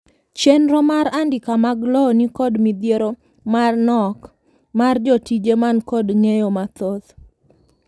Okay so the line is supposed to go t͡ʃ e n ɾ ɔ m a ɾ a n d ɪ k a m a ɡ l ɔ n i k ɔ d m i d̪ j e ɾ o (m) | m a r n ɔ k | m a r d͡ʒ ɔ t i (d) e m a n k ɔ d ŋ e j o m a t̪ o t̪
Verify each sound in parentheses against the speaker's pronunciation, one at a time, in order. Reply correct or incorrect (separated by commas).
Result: incorrect, incorrect